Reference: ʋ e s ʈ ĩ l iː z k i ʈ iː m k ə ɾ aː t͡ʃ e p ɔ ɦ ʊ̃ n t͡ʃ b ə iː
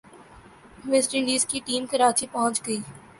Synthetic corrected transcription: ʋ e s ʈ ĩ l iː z k i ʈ iː m k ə ɾ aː t͡ʃ i p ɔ ɦ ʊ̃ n t͡ʃ ɡ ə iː